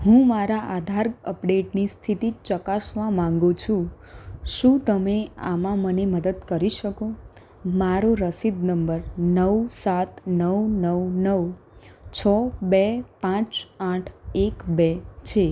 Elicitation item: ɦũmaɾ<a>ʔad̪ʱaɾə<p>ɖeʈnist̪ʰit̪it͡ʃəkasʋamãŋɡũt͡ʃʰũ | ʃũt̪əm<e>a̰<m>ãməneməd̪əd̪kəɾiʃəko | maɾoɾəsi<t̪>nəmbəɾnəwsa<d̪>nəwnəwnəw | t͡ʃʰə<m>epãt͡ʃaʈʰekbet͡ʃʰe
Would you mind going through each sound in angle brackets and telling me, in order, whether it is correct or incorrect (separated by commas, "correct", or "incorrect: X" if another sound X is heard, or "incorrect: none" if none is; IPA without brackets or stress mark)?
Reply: correct, correct, correct, correct, incorrect: d̪, incorrect: t̪, incorrect: b